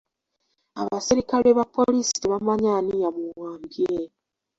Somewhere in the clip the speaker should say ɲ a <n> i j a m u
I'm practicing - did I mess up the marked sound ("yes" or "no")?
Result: no